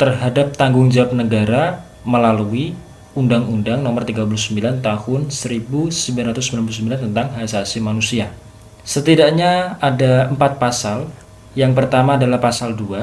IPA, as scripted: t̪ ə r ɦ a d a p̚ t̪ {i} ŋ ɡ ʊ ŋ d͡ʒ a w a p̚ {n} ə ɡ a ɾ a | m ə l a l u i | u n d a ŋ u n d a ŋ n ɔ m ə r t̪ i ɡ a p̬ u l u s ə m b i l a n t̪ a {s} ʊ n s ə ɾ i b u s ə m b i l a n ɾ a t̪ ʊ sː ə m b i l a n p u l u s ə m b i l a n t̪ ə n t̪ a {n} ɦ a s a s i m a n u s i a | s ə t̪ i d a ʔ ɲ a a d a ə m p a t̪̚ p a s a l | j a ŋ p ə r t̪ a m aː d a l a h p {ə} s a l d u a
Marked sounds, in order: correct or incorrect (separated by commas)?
incorrect, correct, incorrect, incorrect, incorrect